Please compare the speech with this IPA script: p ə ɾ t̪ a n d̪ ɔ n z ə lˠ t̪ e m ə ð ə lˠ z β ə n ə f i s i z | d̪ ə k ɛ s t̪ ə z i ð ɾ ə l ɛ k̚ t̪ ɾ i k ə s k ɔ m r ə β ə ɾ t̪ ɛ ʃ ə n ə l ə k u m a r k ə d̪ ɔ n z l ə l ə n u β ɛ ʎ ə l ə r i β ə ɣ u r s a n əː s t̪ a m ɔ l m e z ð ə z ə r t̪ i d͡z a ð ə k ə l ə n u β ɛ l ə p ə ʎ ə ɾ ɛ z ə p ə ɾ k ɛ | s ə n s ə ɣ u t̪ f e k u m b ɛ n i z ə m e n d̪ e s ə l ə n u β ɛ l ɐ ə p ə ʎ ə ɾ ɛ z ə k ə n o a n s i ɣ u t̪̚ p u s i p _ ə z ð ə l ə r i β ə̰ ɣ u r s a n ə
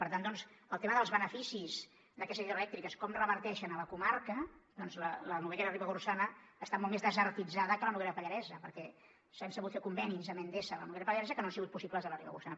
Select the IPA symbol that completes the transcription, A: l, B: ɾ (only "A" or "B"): A